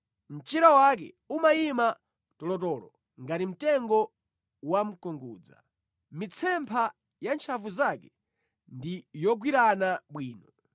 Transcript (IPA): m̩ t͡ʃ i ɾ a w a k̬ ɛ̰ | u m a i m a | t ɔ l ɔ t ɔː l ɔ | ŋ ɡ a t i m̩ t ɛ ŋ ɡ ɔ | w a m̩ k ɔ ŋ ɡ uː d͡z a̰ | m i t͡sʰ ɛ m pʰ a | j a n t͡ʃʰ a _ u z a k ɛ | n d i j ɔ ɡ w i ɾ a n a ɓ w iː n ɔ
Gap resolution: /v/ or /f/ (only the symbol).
v